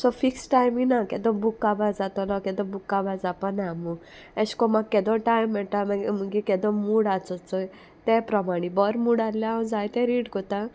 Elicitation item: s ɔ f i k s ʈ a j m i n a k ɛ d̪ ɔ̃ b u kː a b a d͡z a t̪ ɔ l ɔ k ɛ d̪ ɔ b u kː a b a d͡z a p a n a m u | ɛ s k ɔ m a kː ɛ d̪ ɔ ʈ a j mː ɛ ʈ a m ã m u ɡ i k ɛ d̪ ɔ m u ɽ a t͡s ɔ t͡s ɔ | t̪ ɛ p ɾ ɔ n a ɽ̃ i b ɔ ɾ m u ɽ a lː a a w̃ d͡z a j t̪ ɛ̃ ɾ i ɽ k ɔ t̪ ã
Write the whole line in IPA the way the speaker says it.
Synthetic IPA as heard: s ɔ f i k s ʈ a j m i n a k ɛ d̪ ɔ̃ b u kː a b a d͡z a t̪ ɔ l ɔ k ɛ d̪ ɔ b u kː a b a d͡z a p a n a m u | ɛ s k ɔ m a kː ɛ d̪ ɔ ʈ a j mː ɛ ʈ a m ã m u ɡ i k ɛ d̪ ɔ m u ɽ a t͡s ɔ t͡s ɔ | t̪ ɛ p ɾ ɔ m a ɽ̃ i b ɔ ɾ m u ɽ a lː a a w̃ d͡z a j t̪ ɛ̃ ɾ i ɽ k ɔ t̪ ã